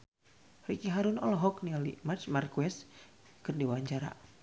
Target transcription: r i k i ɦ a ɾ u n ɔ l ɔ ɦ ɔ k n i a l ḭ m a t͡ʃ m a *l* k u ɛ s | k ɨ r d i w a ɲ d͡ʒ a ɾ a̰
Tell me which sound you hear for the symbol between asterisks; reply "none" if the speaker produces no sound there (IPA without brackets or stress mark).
r